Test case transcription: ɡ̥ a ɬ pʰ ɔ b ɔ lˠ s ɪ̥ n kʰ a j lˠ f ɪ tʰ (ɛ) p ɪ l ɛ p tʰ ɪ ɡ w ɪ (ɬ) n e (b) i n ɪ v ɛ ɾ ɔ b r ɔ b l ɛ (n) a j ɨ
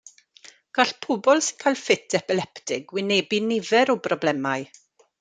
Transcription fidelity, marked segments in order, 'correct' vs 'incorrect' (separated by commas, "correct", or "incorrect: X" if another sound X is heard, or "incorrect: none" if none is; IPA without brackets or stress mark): correct, incorrect: none, correct, incorrect: m